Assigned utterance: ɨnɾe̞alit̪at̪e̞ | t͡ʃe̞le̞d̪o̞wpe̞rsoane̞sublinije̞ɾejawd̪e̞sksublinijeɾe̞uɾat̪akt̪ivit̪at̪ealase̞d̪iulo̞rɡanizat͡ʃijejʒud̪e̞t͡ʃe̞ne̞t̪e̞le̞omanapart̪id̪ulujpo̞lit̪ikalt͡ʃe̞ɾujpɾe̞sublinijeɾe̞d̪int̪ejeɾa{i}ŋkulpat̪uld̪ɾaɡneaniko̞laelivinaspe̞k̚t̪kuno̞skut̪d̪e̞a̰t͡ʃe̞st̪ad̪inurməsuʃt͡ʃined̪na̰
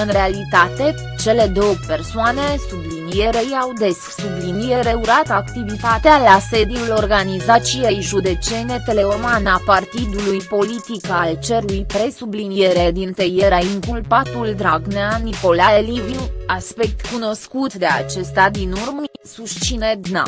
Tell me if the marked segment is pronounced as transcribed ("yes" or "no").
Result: yes